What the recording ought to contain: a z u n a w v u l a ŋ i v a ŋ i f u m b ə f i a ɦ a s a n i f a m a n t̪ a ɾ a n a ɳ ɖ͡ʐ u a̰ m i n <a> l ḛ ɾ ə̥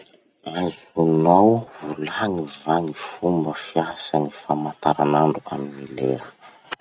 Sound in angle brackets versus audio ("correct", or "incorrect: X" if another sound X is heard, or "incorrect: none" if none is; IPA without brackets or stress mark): incorrect: i